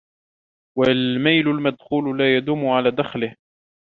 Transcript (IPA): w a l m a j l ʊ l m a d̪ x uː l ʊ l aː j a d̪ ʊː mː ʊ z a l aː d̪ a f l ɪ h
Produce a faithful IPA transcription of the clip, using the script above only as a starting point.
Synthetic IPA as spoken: w a l m a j l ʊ l m a d̪ x uː l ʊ l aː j a d̪ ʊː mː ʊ ʕ a l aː d̪ a x l ɪ h